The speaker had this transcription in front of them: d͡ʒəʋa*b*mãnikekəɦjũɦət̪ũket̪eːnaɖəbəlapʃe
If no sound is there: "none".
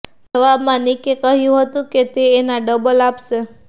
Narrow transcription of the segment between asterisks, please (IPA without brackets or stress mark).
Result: b